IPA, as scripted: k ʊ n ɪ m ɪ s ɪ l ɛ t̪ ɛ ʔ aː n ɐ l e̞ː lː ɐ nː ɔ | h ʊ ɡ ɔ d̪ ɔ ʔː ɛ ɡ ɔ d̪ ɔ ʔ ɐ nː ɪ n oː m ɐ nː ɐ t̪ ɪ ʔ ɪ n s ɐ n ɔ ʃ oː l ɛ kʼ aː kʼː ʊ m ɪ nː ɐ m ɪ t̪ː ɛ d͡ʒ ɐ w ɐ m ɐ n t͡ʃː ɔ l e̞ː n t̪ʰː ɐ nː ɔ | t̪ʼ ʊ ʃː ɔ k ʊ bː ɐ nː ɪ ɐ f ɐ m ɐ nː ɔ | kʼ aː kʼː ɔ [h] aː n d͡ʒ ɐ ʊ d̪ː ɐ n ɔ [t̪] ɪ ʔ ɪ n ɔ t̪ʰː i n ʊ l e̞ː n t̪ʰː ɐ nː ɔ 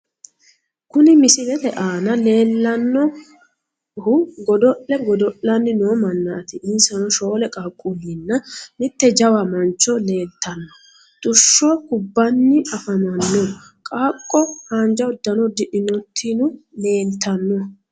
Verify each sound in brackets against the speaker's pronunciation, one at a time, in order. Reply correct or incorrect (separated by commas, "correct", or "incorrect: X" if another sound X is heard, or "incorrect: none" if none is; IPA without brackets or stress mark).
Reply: correct, incorrect: d̪